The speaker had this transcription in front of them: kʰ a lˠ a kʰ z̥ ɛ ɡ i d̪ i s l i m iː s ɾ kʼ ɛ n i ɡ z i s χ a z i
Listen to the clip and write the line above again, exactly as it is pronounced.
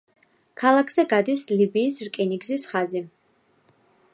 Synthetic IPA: kʰ a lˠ a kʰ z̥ ɛ ɡ a d̪ i s l i b iː s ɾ kʼ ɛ n i ɡ z i s χ a z i